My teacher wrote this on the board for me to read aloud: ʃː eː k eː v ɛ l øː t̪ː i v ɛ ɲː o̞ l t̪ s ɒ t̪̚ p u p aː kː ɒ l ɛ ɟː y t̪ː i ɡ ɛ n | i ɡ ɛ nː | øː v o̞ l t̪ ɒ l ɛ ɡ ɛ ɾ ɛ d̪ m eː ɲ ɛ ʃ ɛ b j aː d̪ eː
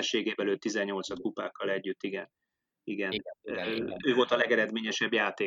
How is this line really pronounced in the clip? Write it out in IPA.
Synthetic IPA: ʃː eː ɡ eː b ɛ l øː t̪ː i z ɛ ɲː o̞ l t̪ s ɒ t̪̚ k u p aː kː ɒ l ɛ ɟː y t̪ː i ɡ ɛ n | i ɡ ɛ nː | øː v o̞ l t̪ ɒ l ɛ ɡ ɛ ɾ ɛ d̪ m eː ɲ ɛ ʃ ɛ b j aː t̪ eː